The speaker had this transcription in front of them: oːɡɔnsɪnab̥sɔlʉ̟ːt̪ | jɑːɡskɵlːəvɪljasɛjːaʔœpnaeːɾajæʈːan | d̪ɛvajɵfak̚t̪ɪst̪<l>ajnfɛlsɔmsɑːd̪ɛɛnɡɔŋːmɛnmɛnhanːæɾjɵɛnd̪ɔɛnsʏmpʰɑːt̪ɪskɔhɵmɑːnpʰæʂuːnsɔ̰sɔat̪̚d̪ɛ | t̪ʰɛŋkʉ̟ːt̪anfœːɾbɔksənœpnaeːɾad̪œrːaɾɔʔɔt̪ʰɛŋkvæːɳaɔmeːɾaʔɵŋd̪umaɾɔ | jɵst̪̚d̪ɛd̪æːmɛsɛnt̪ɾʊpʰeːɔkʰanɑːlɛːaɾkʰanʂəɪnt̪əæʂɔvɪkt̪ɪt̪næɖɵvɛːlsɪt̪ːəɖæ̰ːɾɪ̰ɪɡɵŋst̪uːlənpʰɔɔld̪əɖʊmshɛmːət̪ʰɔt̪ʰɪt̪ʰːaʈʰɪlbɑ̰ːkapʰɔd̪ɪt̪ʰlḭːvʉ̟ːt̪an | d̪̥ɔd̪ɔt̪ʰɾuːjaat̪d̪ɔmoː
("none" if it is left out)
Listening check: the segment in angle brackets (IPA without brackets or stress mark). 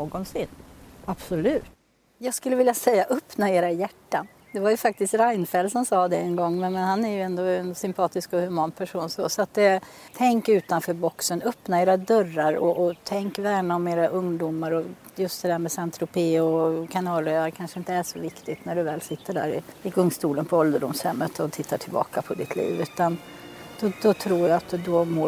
ɾ